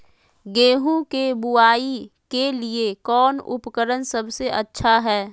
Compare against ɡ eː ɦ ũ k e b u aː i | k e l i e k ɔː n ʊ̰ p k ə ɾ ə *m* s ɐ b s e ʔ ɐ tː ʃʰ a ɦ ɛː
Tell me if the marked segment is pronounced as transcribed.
no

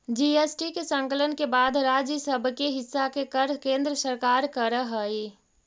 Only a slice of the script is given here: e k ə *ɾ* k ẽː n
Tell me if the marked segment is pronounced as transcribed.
yes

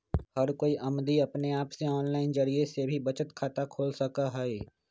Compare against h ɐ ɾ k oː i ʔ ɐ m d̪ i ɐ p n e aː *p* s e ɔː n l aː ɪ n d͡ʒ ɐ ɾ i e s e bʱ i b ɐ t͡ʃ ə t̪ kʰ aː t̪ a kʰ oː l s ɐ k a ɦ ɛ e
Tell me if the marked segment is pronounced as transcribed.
yes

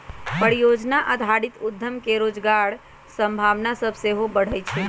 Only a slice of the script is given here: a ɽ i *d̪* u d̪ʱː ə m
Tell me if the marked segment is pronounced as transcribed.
no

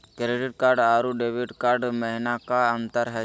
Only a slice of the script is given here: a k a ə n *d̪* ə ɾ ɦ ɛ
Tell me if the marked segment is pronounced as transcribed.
no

